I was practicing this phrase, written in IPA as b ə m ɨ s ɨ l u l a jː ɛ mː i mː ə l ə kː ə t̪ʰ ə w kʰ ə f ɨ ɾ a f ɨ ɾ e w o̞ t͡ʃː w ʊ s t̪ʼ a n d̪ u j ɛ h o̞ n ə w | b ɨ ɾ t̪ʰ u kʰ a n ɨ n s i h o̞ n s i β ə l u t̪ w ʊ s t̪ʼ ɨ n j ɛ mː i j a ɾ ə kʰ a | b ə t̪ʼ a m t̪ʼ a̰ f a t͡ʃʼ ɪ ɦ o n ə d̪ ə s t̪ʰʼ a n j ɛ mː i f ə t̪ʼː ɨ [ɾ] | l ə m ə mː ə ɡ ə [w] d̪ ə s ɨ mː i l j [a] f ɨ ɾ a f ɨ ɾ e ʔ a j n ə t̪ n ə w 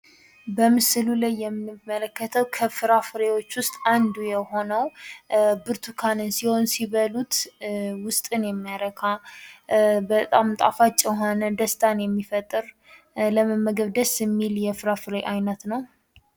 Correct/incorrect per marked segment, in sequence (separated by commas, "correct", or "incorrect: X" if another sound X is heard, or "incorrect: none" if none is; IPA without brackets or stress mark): correct, incorrect: β, incorrect: ɛ